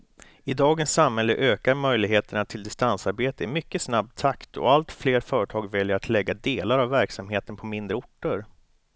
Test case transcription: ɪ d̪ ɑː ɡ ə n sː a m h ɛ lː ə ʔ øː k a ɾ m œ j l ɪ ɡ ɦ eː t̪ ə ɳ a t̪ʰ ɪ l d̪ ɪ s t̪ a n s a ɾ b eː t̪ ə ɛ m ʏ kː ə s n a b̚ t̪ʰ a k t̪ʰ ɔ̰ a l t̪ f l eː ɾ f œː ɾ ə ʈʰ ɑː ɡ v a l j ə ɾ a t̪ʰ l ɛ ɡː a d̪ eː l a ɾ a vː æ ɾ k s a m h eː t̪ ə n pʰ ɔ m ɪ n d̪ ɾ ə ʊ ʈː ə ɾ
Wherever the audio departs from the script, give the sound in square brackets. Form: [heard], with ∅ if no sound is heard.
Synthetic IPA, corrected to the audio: ɪ d̪ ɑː ɡ ə n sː a m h ɛ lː ə ʔ øː k a ɾ m œ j l ɪ ɡ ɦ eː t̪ ə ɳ a t̪ʰ ɪ l d̪ ɪ s t̪ a n s a ɾ b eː t̪ ə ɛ m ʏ kː ə s n a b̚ t̪ʰ a k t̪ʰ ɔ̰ a l t̪ f l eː ɾ f œː ɾ ə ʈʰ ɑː ɡ v [ɛ] l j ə ɾ a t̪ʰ l ɛ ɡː a d̪ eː l a ɾ a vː æ ɾ k s a m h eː t̪ ə n pʰ ɔ m ɪ n d̪ ɾ ə ʊ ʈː ə ɾ